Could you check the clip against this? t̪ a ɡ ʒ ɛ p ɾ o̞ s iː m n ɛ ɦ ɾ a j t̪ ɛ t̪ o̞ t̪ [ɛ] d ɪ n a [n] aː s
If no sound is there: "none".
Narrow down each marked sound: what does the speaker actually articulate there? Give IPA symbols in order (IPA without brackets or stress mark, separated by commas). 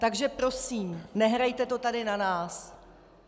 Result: a, n